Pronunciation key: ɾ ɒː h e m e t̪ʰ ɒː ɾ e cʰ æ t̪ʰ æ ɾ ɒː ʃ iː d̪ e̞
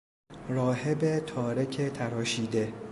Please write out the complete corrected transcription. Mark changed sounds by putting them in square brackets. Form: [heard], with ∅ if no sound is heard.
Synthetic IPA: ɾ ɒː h e [b] e t̪ʰ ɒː ɾ e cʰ [e] t̪ʰ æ ɾ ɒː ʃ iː d̪ e̞